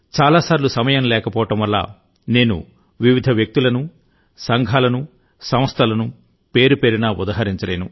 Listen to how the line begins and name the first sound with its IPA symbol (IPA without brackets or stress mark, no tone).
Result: t͡ʃ